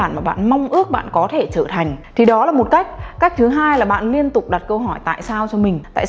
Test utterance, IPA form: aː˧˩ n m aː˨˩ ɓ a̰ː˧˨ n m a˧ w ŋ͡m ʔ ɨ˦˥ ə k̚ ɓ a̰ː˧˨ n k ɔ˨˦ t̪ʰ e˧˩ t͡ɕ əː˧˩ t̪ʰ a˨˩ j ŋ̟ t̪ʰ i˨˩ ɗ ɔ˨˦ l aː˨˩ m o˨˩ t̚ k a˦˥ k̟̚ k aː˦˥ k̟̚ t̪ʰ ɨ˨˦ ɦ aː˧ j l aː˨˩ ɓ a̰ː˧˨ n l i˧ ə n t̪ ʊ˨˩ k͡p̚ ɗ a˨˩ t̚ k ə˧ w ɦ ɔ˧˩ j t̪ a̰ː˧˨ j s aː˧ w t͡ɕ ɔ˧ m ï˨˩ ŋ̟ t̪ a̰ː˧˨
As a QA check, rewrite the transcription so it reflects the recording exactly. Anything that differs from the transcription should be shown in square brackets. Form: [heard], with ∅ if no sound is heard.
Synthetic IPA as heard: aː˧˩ n m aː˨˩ ɓ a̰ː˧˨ n m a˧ w ŋ͡m ʔ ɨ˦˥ ə k̚ ɓ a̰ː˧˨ n k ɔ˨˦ t̪ʰ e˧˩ t͡ɕ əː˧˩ t̪ʰ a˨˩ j ŋ̟ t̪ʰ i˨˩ ɗ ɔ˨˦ l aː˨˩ m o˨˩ t̚ k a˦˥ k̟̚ k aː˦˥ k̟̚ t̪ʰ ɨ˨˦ ɦ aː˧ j l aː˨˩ ɓ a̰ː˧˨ n l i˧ ə n t̪ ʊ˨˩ k͡p̚ ɗ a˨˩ t̚ k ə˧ w ɦ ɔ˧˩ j t̪ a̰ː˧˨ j s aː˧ w t͡ɕ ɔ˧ m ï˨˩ ŋ̟ t̪ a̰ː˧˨

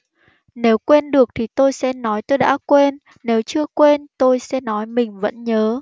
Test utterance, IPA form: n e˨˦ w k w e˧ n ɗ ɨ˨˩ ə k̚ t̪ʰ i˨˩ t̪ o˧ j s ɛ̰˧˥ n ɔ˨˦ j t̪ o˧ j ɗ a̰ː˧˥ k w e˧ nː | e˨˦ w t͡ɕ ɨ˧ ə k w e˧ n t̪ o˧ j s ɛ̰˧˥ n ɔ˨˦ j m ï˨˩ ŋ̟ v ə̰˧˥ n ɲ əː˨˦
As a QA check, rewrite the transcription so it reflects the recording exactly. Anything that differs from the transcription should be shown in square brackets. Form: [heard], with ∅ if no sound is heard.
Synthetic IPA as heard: n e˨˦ w k w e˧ n ɗ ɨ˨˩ ə k̚ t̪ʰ i˨˩ t̪ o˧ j s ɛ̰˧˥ n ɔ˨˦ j t̪ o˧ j ɗ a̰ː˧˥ k w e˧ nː | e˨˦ w t͡ɕ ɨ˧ ə k w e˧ n t̪ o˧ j s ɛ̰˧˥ n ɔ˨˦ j m ï˨˩ ŋ̟ v ə̰˧˥ n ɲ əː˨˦

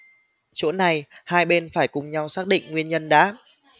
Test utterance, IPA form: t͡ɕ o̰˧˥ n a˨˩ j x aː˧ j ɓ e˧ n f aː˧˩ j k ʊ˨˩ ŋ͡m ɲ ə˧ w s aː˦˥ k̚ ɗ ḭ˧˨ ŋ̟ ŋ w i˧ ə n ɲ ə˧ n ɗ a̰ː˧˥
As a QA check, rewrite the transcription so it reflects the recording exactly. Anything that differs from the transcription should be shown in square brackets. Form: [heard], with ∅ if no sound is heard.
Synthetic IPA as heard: t͡ɕ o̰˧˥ n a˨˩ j [h] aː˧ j ɓ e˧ n f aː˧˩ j k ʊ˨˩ ŋ͡m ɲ [a˧] w s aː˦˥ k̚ ɗ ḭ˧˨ ŋ̟ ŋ w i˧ ə n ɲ ə˧ n ɗ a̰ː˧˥

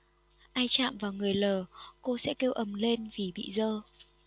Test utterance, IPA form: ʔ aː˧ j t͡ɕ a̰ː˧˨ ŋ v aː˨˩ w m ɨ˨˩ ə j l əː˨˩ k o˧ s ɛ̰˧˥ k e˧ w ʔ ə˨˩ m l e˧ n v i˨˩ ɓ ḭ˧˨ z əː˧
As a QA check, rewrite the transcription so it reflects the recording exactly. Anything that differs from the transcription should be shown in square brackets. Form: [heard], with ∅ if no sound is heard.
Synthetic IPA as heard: ʔ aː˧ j t͡ɕ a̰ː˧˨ [m] v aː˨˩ w [ŋ] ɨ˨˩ ə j l əː˨˩ k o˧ s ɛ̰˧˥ k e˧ w ʔ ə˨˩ m l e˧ n v i˨˩ ɓ ḭ˧˨ z əː˧

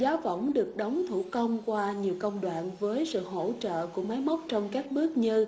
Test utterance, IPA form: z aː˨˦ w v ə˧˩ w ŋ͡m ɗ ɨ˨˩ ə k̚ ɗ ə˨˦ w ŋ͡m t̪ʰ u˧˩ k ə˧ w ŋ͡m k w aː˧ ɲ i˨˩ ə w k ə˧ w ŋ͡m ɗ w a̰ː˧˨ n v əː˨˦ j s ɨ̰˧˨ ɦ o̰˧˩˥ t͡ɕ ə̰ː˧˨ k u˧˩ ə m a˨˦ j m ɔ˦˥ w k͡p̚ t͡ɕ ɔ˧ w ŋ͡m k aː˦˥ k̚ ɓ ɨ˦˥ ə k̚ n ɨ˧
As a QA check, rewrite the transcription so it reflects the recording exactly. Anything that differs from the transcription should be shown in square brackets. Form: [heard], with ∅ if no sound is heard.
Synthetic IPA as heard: z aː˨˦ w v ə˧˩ w ŋ͡m ɗ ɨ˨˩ ə k̚ ɗ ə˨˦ w ŋ͡m t̪ʰ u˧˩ k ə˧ w ŋ͡m k w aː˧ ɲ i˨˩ ə w k ə˧ w ŋ͡m ɗ w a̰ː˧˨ n v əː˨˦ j s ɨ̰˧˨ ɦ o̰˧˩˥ t͡ɕ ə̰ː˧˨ k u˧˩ ə m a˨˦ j m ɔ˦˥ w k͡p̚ t͡ɕ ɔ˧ w ŋ͡m k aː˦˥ k̚ ɓ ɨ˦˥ ə k̚ [ɲ] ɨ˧

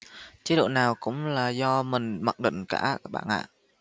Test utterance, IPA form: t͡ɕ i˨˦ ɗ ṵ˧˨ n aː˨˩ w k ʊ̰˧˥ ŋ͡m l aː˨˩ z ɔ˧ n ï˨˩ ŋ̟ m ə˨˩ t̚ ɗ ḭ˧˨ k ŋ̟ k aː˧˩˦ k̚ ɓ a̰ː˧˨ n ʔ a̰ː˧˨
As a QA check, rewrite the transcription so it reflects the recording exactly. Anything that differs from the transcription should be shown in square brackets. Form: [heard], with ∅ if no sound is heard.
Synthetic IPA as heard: t͡ɕ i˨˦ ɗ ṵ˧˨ n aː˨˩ w k ʊ̰˧˥ ŋ͡m l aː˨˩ z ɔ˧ [m] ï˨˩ ŋ̟ m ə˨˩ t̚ ɗ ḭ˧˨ [∅] ŋ̟ k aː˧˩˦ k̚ ɓ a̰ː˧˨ n ʔ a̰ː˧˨

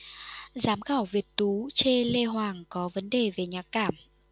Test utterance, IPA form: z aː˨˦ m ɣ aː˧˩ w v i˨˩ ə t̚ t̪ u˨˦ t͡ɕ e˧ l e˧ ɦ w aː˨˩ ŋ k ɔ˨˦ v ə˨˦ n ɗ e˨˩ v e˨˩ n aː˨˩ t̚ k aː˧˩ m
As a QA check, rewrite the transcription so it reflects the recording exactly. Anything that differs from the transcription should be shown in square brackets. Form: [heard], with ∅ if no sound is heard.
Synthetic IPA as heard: z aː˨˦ m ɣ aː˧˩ w v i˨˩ ə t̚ t̪ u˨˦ t͡ɕ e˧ l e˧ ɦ w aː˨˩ ŋ k ɔ˨˦ v ə˨˦ n ɗ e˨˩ v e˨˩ [ɲ] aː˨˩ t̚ k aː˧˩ m

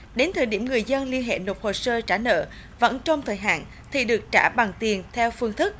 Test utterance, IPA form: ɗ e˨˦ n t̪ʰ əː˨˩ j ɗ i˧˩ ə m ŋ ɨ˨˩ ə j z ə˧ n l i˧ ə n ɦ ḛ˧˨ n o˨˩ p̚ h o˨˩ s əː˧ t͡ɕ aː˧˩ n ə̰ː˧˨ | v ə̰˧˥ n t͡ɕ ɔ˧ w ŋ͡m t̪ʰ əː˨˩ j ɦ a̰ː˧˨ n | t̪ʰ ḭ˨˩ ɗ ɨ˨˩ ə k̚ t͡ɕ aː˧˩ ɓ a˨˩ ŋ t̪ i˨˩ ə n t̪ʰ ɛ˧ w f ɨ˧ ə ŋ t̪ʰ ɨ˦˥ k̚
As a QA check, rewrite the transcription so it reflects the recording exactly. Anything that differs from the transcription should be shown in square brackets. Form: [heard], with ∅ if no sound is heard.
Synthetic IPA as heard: ɗ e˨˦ n t̪ʰ əː˨˩ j ɗ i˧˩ ə m ŋ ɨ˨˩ ə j z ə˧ n l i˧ ə n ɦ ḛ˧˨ n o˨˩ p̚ h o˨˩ s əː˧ t͡ɕ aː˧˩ n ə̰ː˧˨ | v ə̰˧˥ n t͡ɕ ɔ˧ w ŋ͡m t̪ʰ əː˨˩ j ɦ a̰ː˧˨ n | t̪ʰ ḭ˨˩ ɗ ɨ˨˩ ə k̚ t͡ɕ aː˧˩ ɓ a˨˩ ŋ t̪ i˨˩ ə n t̪ʰ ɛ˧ w f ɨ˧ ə ŋ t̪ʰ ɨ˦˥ k̚

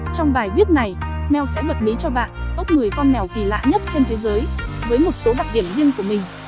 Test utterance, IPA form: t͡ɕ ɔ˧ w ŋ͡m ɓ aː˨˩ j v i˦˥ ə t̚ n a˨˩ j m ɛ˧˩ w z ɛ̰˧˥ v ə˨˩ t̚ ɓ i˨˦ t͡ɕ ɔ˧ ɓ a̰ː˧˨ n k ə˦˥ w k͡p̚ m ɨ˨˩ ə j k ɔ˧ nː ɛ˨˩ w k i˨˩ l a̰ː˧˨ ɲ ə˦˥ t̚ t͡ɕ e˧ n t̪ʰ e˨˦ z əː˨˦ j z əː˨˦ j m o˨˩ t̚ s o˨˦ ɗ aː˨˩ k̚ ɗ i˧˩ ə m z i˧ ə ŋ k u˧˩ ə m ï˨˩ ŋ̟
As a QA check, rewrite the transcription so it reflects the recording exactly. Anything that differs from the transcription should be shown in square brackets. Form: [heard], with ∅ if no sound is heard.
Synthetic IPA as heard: t͡ɕ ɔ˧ w ŋ͡m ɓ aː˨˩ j v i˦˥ ə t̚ n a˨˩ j m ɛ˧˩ w [s] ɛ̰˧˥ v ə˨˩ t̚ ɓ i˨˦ t͡ɕ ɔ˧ ɓ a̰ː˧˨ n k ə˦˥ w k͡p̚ [ŋ] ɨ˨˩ ə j k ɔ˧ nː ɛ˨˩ w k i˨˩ l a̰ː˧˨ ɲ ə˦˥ t̚ t͡ɕ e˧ n t̪ʰ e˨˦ z əː˨˦ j [v] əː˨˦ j m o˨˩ t̚ s o˨˦ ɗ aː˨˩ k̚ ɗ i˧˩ ə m z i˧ ə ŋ k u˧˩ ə m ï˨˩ ŋ̟

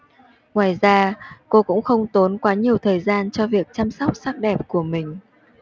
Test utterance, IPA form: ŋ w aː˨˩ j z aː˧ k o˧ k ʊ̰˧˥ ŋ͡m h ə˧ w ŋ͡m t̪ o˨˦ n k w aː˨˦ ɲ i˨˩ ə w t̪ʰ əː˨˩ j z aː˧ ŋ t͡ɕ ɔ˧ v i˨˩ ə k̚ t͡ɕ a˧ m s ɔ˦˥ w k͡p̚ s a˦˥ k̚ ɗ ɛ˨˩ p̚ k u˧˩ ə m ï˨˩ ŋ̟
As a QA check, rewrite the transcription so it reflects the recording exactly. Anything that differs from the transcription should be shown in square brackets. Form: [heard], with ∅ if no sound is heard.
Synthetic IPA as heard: ŋ w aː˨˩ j z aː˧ k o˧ k ʊ̰˧˥ ŋ͡m [x] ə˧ w ŋ͡m t̪ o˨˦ n k w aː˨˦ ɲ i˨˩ ə w t̪ʰ əː˨˩ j z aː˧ [n] t͡ɕ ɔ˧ v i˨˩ ə k̚ t͡ɕ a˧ m s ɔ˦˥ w k͡p̚ s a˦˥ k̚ ɗ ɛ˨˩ p̚ k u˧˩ ə m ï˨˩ ŋ̟

